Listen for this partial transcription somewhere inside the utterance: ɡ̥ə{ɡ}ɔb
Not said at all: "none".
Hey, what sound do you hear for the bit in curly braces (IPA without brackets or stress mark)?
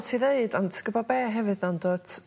b